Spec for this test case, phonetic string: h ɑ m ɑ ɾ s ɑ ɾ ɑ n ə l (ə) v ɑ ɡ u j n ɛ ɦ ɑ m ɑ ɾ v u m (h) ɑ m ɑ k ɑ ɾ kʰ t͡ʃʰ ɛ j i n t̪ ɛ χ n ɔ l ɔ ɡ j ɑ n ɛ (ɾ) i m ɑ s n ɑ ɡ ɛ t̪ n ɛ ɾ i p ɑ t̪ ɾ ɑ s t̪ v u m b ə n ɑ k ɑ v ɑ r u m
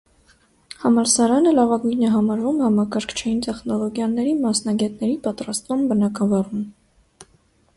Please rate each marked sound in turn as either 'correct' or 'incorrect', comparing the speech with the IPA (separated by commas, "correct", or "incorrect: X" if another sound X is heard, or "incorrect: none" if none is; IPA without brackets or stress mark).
incorrect: ɑ, correct, correct